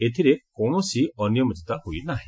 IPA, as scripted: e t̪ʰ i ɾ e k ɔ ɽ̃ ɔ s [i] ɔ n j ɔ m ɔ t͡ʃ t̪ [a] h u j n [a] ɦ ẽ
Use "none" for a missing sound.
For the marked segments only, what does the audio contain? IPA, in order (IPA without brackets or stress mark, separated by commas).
i, a, a